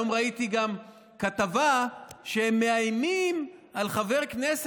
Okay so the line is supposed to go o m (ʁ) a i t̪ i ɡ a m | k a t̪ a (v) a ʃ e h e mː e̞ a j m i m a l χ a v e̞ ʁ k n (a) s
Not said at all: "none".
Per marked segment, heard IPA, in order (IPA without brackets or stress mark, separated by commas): ʁ, v, e